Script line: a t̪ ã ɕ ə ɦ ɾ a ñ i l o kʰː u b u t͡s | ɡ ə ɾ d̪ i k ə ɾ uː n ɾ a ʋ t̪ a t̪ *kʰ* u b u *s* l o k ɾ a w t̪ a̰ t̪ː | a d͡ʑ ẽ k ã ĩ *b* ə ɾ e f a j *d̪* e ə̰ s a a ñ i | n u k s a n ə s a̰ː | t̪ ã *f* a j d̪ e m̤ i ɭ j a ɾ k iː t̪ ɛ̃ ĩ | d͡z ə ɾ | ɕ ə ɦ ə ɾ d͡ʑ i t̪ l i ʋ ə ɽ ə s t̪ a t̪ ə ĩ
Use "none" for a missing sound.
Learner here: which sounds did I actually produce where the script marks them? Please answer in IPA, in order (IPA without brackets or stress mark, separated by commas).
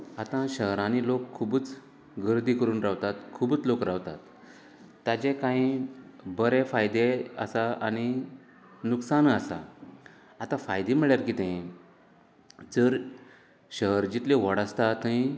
kʰ, t͡s, b, d̪, f